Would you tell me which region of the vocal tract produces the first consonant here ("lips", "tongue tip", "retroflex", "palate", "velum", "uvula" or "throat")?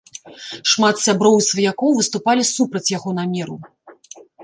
retroflex